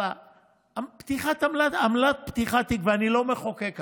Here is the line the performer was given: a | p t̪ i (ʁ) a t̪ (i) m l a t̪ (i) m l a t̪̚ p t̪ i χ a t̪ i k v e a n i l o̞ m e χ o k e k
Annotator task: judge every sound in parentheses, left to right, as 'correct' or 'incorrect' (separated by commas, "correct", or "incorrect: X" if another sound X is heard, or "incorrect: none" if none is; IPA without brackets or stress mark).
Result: incorrect: χ, incorrect: a, incorrect: a